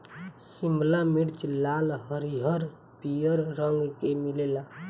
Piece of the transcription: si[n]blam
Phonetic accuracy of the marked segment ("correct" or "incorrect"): incorrect